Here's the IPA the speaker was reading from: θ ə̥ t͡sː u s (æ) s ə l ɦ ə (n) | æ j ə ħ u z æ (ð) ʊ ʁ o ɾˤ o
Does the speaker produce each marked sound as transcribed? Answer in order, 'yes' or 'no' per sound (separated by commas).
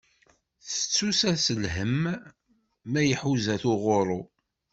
yes, no, no